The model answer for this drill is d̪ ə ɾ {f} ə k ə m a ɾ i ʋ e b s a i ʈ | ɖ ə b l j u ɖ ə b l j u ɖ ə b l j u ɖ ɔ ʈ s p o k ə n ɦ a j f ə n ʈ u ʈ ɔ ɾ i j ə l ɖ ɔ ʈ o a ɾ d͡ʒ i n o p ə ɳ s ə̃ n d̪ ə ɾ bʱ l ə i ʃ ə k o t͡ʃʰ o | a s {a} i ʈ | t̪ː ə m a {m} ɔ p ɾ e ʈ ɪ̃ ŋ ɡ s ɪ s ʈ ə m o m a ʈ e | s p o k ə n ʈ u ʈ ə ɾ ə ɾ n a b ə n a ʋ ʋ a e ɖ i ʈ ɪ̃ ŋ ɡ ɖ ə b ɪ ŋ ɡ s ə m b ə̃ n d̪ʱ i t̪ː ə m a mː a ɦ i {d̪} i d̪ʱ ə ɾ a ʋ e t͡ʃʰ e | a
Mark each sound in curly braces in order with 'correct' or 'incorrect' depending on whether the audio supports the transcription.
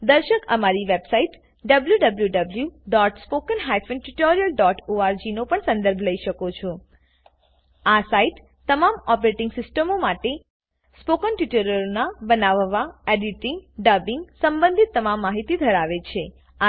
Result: incorrect, correct, correct, incorrect

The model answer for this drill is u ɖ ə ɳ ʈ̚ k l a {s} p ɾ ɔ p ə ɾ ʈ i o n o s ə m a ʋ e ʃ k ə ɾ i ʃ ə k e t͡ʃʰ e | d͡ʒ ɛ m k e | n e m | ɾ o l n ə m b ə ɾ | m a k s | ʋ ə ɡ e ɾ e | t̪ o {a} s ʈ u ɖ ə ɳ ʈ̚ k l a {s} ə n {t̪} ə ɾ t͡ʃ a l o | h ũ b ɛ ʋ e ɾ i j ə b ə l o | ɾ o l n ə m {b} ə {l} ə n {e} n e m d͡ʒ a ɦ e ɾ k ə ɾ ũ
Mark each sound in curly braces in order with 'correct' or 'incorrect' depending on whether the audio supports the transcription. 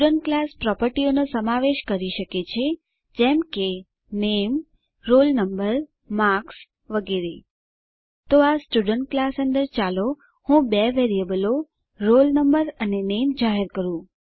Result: correct, correct, correct, incorrect, correct, incorrect, correct

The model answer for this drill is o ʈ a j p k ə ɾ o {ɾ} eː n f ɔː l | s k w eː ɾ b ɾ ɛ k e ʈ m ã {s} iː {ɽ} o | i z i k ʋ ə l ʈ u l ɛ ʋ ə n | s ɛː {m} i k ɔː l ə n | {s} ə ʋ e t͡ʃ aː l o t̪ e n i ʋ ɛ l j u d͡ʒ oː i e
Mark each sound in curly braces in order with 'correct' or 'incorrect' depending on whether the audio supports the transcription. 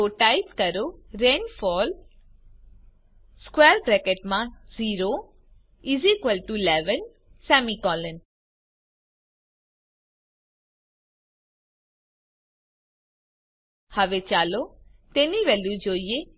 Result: correct, incorrect, incorrect, correct, incorrect

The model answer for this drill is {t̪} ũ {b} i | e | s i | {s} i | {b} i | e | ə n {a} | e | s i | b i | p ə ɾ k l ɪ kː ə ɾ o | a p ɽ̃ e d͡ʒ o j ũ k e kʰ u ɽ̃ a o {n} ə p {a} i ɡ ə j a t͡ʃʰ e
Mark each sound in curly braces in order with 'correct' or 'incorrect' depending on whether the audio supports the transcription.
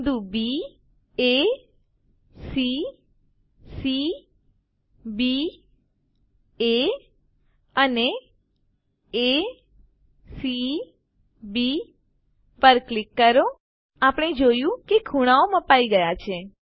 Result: incorrect, correct, correct, correct, incorrect, incorrect, correct

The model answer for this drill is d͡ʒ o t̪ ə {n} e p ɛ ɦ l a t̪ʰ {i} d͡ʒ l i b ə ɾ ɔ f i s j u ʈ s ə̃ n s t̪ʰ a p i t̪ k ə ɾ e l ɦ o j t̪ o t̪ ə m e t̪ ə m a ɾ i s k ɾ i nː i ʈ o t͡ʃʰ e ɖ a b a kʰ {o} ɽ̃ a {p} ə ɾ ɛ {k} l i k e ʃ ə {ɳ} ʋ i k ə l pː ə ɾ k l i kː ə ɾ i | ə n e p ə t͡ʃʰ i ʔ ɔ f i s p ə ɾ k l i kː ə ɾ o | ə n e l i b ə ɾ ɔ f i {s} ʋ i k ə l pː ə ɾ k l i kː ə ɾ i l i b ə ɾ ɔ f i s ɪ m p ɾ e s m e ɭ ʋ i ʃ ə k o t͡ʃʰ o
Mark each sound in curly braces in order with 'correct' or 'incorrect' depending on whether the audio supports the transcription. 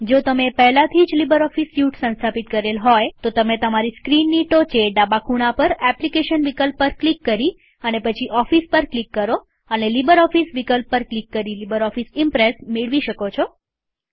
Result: incorrect, correct, incorrect, correct, incorrect, incorrect, correct

